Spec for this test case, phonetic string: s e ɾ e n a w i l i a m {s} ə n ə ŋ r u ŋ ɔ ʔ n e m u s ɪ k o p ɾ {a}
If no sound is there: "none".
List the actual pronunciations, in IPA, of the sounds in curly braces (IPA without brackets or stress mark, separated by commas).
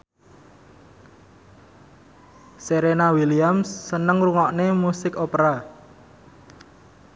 sː, a